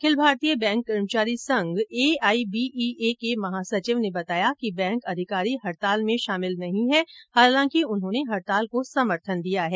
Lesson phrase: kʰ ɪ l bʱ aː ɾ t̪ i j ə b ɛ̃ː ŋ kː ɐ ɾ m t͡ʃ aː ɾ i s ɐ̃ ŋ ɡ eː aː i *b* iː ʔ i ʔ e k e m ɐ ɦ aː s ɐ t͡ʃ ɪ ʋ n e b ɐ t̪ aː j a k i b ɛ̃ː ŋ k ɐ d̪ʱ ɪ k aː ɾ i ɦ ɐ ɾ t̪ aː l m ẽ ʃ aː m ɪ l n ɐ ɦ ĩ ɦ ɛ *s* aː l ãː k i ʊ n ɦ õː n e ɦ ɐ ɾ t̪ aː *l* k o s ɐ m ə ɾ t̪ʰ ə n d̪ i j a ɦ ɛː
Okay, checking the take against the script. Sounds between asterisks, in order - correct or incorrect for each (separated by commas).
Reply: correct, incorrect, correct